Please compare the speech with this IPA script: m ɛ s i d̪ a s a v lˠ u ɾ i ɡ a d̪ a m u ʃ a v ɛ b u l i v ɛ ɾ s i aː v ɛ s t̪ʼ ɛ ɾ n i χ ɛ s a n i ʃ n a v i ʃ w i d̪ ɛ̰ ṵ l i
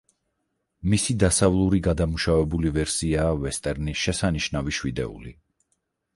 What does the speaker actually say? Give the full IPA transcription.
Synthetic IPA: m i s i d̪ a s a v lˠ u ɾ i ɡ a d̪ a m u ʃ a v ɛ b u l i v ɛ ɾ s i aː v ɛ s t̪ʼ ɛ ɾ n i ʃ ɛ s a n i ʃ n a v i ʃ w i d̪ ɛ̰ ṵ l i